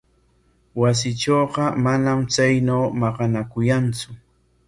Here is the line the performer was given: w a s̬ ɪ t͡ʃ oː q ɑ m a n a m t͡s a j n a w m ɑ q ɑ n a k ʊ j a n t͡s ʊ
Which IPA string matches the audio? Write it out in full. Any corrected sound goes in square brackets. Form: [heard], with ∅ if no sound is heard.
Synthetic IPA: w a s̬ ɪ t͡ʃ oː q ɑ m a n a m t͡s a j n a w m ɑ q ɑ n a k ʊ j a n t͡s ʊ